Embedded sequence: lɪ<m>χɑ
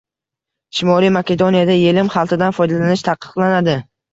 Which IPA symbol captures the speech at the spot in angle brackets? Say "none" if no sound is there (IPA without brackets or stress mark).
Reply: m